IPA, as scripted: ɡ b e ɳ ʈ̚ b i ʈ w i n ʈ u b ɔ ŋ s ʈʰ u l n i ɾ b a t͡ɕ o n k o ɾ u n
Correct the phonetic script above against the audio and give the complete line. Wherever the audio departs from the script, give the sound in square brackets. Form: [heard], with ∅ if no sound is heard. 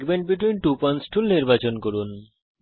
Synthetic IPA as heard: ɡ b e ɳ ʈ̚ b i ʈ w i n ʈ u [p] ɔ [n] s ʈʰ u l n i ɾ b a t͡ɕ o n k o ɾ u n

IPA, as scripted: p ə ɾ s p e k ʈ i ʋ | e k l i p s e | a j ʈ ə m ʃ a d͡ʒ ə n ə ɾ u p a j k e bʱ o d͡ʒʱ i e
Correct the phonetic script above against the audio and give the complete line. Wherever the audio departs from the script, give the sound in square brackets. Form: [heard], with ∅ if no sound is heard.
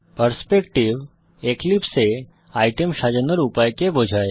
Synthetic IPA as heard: p ə ɾ s p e k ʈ i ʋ | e k l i p s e | a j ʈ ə m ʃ a d͡ʒ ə n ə ɾ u p a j k e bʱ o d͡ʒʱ [a] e

